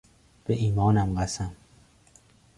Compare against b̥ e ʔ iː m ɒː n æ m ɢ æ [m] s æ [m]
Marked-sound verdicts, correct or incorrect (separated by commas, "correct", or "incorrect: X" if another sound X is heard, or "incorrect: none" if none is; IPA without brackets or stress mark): incorrect: none, correct